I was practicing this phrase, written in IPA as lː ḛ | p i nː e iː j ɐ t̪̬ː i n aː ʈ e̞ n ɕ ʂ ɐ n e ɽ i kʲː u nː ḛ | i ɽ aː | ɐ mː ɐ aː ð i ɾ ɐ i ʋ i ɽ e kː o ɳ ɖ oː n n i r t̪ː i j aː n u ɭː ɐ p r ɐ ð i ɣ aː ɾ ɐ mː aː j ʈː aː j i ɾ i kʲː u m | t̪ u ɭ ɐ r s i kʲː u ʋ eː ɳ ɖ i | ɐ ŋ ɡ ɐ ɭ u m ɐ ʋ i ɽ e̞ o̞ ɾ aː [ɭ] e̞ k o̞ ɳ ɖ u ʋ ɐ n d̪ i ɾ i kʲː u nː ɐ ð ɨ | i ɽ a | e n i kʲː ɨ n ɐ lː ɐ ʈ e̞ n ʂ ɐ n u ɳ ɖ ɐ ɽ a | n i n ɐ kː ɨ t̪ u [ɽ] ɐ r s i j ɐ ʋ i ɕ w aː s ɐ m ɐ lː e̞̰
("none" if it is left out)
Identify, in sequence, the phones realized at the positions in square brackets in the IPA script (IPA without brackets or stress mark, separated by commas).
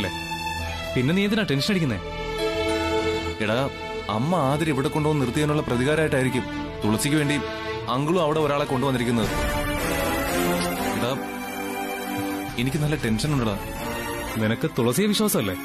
ɭ, ɭ